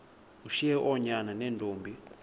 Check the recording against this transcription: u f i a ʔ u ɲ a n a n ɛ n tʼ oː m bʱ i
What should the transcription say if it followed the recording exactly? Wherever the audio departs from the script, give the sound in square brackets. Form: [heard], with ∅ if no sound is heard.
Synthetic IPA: u [ʃ] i [ɛ] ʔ [ɔ] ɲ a n a n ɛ n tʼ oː m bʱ i

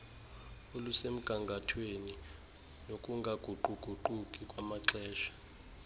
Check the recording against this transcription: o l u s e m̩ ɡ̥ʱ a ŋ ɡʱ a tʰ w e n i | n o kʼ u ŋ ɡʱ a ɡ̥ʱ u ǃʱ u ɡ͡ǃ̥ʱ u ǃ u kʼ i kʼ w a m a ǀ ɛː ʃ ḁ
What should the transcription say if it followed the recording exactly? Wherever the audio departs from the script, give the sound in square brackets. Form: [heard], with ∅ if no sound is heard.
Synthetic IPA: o l u s e m̩ ɡ̥ʱ a ŋ ɡʱ a tʰ w e n i | n o kʼ u ŋ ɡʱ a ɡ̥ʱ u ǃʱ u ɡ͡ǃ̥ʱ u ǃ u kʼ i kʼ w a m a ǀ ɛː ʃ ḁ

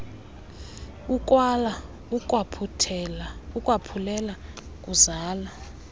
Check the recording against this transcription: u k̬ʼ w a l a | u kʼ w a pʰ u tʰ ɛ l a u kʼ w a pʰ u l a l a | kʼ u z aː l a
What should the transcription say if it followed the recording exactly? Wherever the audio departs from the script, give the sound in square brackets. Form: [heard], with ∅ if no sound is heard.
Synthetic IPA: u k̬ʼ w a l a | u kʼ w a pʰ u tʰ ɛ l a u kʼ w a pʰ u l [ɛ] l a | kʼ u z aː l a

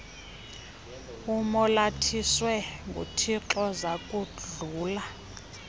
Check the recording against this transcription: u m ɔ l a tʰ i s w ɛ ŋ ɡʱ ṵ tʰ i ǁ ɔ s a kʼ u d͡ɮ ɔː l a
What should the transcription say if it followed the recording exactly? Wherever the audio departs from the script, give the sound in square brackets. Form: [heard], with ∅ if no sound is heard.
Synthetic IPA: u m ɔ l a tʰ i s w ɛ ŋ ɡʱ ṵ tʰ i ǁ ɔ [z] a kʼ u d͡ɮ [uː] l a

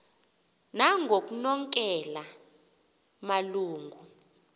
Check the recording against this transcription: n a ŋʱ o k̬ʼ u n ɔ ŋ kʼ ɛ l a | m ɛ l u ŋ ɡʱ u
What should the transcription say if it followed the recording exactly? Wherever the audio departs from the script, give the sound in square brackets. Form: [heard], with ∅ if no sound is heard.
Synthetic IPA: n a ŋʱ o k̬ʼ u n ɔ ŋ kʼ ɛ l a | m [a] l [uː] ŋ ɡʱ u

